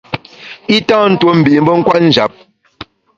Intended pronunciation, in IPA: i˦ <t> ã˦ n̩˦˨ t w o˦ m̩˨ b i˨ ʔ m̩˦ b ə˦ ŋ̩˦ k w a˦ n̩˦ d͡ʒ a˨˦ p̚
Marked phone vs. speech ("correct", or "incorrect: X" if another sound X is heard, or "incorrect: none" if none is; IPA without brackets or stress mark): correct